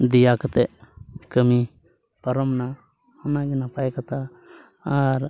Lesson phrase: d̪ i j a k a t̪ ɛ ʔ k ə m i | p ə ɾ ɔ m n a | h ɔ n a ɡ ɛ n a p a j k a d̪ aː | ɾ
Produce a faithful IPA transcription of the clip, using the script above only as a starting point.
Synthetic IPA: d̪ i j a k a t̪ ɛ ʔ k ə m i | p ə ɾ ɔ m n a | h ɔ n a ɡ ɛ n a p a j k a t̪ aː | ɾ